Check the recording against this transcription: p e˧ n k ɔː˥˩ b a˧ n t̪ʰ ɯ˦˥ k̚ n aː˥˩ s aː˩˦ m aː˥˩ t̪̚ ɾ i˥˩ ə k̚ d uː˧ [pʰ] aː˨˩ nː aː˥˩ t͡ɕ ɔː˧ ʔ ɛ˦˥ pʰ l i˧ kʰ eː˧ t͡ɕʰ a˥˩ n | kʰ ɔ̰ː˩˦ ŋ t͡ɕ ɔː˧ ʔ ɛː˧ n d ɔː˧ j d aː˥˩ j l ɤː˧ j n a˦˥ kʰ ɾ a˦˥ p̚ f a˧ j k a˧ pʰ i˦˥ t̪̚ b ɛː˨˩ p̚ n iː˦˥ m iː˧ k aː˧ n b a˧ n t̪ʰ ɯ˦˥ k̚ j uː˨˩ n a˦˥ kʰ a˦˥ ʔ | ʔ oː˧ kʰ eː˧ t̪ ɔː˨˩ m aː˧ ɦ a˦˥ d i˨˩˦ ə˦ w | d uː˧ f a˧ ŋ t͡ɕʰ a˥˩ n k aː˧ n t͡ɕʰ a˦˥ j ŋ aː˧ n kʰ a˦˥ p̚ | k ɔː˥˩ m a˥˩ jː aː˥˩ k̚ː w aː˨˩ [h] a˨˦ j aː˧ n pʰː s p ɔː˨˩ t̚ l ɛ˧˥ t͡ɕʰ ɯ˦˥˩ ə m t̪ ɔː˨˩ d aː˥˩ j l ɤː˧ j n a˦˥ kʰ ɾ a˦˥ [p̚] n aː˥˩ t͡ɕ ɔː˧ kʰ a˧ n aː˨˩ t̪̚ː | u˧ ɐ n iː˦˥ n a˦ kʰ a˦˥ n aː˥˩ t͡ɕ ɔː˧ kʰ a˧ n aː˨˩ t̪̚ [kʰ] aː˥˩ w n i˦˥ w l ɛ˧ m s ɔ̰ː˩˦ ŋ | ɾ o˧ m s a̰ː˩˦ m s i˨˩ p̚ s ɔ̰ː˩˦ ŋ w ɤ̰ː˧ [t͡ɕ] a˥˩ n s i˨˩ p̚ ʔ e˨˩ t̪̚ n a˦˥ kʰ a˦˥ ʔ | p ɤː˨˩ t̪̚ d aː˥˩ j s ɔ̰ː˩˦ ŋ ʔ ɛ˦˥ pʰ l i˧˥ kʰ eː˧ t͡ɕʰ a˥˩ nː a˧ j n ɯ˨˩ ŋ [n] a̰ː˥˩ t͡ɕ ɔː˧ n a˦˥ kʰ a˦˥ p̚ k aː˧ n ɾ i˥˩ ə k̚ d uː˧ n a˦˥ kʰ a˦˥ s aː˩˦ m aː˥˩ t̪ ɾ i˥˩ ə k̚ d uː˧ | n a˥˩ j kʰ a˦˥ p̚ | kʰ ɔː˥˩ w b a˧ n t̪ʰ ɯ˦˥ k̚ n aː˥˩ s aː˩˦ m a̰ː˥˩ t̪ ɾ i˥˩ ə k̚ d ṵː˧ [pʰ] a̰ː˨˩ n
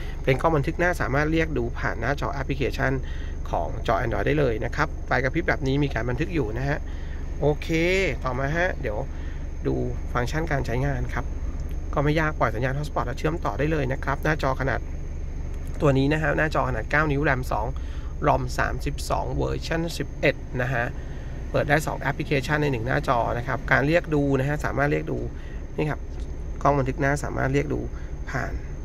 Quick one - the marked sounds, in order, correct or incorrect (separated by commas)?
correct, incorrect, correct, incorrect, incorrect, correct, correct